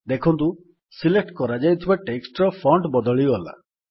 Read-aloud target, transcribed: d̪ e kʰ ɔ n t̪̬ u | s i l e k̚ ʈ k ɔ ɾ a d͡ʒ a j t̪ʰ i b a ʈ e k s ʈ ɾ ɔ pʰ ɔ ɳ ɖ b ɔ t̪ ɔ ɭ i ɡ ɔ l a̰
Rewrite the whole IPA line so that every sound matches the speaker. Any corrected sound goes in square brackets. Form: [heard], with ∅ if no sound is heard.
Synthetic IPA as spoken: d̪ e kʰ ɔ n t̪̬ u | s i l e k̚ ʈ k ɔ ɾ a d͡ʒ a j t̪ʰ i b a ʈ e k s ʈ ɾ ɔ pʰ ɔ ɳ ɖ b ɔ [d̪] ɔ ɭ i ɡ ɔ l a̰